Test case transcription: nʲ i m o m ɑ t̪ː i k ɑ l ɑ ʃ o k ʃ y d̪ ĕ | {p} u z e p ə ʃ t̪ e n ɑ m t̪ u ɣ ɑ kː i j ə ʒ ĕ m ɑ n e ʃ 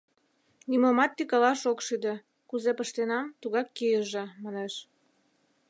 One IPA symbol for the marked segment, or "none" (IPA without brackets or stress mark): k